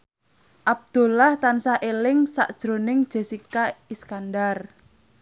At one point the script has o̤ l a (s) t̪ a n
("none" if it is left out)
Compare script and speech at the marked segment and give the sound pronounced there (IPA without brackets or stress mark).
h